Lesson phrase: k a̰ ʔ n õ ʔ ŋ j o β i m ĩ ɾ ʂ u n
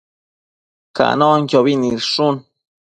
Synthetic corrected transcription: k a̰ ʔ n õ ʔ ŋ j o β i n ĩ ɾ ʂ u n